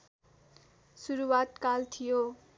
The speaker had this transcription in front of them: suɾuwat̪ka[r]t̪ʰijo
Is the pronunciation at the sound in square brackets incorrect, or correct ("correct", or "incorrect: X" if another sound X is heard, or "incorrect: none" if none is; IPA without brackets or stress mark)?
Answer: incorrect: l